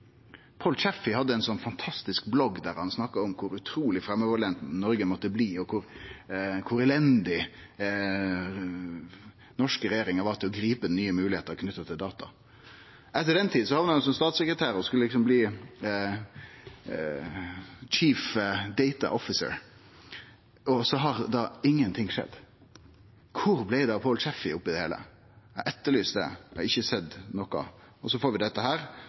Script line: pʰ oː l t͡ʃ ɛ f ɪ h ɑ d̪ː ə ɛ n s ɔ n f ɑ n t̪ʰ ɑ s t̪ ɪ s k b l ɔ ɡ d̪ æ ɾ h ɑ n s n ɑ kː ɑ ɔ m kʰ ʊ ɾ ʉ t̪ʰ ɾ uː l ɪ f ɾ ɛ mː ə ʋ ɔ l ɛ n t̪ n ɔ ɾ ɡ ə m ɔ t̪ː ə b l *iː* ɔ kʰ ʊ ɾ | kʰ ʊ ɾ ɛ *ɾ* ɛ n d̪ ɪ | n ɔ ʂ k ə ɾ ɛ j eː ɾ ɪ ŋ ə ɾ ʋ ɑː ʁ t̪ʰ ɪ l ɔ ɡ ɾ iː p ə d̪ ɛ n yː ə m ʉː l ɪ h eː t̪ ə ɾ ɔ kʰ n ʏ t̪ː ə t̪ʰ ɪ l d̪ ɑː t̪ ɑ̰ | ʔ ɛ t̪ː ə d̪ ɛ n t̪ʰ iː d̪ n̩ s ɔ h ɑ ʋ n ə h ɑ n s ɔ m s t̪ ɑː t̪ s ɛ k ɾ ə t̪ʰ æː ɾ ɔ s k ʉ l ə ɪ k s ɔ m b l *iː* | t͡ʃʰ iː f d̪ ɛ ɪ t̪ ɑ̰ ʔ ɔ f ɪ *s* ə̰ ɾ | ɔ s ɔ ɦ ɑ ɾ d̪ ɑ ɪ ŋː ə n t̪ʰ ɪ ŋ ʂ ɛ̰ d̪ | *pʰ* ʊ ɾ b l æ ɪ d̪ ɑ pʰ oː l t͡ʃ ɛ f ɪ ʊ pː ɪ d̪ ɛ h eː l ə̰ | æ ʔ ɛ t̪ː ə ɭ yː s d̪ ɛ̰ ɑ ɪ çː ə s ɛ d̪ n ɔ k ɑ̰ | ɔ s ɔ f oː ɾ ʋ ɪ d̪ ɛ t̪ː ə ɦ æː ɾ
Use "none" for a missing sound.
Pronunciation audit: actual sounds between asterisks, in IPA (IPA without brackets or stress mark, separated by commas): iː, l, iː, s, kʰ